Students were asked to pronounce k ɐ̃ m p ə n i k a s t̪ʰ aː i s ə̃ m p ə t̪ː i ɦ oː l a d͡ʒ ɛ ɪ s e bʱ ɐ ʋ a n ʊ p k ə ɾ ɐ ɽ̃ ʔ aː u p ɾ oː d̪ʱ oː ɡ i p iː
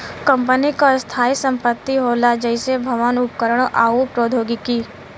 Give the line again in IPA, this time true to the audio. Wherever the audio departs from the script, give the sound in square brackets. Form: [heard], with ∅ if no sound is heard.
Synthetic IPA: k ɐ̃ m p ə n i k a s t̪ʰ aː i s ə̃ m p ə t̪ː i ɦ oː l a d͡ʒ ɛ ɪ s e bʱ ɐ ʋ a n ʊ p k ə ɾ [ə] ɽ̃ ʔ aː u p ɾ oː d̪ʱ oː ɡ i [k] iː